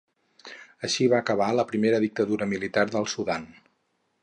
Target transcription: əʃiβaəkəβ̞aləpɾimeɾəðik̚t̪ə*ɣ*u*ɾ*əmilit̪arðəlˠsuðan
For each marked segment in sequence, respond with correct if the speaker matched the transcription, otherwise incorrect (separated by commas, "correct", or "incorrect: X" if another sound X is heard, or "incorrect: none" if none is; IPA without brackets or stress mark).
incorrect: ð, correct